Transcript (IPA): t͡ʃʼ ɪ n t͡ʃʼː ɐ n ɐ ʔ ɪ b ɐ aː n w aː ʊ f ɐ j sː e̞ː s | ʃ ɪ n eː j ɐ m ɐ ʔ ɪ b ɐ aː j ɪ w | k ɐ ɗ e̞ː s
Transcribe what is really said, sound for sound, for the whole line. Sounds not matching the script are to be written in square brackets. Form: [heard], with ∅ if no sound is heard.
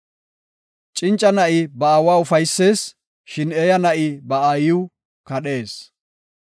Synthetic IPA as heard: t͡ʃʼ ɪ n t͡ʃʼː ɐ n ɐ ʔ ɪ b ɐ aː [∅] w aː ʊ f ɐ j sː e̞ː s | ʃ ɪ n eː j ɐ [n] ɐ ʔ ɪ b ɐ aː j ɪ w | k ɐ ɗ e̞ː s